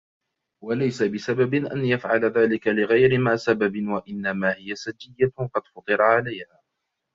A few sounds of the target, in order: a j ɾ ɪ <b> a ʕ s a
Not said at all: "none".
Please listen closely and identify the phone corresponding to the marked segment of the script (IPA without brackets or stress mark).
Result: m